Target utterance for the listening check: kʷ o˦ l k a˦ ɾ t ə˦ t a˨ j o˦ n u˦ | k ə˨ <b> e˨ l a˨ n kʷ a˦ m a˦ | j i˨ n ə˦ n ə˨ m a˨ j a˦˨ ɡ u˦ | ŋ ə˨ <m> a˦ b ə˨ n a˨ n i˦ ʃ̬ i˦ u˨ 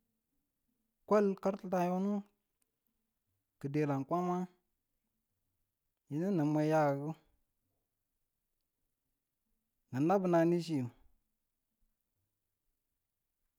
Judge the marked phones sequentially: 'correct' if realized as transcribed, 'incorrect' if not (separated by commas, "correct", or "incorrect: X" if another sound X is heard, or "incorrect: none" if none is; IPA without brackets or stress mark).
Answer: incorrect: d, incorrect: n